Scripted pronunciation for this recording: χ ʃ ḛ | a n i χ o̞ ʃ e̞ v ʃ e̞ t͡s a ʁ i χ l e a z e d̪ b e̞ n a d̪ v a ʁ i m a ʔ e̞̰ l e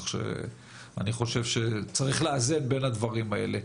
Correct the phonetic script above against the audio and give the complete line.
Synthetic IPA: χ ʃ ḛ | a n i χ o̞ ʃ e̞ v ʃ e̞ t͡s a ʁ i χ l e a z e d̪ b e̞ n a d̪ v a ʁ i m a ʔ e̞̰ l e

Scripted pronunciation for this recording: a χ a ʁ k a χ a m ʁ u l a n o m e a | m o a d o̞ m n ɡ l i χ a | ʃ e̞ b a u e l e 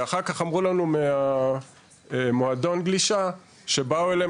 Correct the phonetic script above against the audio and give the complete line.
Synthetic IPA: a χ a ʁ k a χ a m ʁ u l a n u m e a | m o a d o̞ n ɡ l i ʃ a | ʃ e̞ b a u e l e

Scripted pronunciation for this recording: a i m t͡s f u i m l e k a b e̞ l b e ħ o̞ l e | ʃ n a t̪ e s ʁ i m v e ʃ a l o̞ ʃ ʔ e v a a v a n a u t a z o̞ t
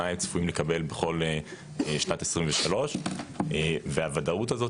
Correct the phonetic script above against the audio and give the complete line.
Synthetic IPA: a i m t͡s f u i m l e k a b e̞ l b e χ o̞ l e | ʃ n a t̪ e s ʁ i m v e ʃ a l o̞ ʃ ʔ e v e a v a d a u t a z o̞ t

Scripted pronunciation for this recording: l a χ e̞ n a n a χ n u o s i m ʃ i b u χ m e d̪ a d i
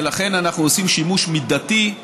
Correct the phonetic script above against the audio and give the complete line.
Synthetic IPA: l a χ e̞ n a n a χ n u o s i m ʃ i m u ʃ m i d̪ a t i

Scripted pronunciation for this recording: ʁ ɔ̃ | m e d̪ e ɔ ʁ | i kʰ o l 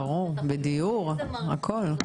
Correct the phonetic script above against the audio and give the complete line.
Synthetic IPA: ʁ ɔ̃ | b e d̪ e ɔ ʁ | a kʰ ɔ l

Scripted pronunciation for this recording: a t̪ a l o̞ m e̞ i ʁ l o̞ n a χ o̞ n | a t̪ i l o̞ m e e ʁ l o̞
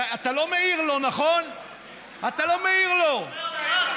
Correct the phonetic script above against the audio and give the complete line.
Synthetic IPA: a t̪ a l o̞ m e̞ i ʁ l o̞ n a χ o̞ n | a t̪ a l o̞ m e i ʁ l o̞

